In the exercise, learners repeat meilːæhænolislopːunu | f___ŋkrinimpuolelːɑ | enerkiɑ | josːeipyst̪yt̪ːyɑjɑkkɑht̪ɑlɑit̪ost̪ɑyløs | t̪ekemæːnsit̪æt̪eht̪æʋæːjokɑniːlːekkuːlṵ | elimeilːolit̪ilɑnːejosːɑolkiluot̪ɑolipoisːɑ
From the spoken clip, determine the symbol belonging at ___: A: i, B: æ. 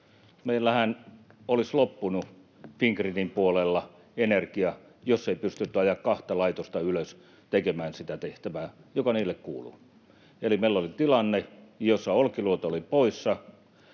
A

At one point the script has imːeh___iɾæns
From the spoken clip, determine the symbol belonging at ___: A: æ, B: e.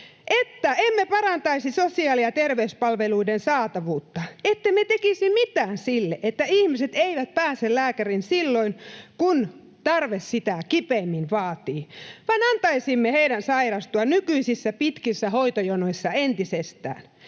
B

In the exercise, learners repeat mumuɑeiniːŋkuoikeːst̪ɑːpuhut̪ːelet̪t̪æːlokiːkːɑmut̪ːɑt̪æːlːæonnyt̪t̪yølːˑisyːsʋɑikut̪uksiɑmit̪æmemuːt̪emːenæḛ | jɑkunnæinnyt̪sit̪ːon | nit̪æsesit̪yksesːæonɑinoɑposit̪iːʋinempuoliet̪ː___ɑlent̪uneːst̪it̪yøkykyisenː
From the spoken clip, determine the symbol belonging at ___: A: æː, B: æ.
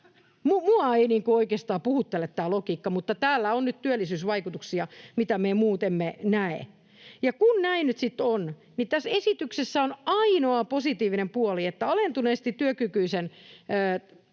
B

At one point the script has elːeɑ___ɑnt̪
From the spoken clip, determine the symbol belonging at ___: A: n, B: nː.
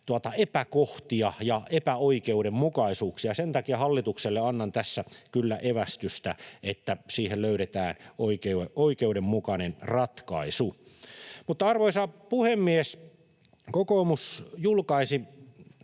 B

